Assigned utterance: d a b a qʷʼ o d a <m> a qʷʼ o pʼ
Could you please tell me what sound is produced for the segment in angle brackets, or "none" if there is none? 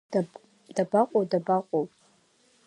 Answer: b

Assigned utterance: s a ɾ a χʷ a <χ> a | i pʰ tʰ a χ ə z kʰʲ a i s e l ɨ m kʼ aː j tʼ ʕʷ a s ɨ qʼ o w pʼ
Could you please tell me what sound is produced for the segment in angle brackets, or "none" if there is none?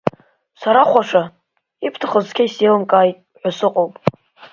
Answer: ʂ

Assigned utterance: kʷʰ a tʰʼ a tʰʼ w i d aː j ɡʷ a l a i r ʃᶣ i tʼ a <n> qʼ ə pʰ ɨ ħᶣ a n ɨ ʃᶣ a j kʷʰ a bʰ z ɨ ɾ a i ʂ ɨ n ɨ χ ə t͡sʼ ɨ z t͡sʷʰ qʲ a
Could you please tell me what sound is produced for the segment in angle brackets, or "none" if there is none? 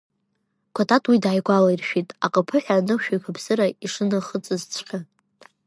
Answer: none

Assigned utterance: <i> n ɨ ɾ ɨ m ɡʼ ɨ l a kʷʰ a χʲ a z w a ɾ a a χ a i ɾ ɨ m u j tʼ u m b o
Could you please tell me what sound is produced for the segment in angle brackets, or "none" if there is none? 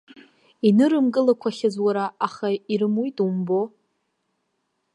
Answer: i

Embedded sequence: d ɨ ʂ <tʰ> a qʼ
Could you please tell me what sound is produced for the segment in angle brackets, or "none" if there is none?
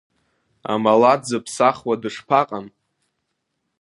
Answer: pʰ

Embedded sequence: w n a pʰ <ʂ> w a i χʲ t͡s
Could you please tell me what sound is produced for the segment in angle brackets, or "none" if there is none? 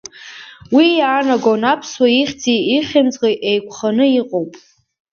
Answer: s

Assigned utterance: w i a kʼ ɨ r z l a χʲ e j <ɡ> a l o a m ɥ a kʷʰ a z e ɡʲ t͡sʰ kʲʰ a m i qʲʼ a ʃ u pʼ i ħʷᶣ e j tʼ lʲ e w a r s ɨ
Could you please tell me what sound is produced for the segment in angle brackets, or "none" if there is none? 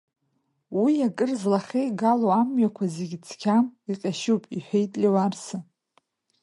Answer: ɡ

